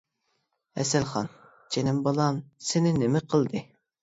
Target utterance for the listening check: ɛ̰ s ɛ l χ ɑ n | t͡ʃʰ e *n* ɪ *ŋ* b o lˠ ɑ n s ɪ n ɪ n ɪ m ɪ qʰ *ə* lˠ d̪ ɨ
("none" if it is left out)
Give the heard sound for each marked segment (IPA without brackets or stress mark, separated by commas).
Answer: n, m, ə